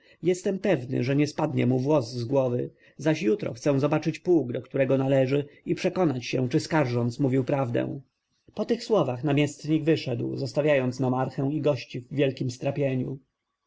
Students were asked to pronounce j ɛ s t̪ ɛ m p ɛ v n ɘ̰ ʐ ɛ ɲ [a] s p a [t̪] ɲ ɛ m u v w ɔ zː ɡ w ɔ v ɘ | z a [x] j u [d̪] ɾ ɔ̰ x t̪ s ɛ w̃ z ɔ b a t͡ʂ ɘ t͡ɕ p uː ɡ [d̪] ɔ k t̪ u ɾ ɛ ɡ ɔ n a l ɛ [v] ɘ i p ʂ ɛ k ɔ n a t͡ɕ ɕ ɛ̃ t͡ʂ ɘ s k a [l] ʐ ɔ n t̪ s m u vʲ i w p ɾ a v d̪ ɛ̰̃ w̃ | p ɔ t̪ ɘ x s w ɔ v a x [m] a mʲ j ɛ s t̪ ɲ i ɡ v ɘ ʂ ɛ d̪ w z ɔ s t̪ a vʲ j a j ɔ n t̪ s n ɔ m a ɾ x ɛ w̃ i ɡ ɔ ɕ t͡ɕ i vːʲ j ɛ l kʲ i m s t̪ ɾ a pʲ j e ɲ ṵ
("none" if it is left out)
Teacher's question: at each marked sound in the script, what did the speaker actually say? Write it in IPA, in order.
ɛ, d̪, ɕ, t̪, d̪, ʐ, ɾ, n

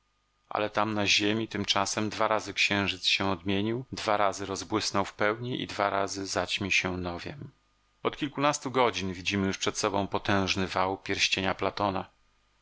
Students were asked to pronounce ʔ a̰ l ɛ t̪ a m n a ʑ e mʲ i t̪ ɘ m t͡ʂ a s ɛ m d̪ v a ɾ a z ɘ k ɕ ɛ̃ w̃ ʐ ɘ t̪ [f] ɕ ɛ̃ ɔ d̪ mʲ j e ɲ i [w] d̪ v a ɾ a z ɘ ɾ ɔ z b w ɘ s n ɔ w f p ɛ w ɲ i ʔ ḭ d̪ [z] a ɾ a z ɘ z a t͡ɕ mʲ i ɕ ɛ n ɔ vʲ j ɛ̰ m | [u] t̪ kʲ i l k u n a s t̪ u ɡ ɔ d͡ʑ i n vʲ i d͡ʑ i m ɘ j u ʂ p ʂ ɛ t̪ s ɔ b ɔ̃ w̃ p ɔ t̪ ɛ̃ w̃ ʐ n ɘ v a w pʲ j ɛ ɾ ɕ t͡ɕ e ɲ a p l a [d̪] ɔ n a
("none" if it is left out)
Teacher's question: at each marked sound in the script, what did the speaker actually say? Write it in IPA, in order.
s, w, v, ɔ, t̪

